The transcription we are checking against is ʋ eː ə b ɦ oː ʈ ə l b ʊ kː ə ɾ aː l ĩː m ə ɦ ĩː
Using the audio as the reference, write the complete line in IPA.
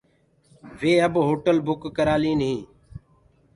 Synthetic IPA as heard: ʋ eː ə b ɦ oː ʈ ə l b ʊ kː ə ɾ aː l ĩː n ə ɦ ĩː